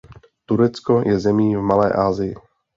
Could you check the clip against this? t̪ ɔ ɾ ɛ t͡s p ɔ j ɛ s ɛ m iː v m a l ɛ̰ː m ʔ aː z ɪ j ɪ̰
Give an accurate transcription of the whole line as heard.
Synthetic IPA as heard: t̪ u ɾ ɛ t͡s k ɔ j ɛ z ɛ m iː v m a l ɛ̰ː ʔ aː z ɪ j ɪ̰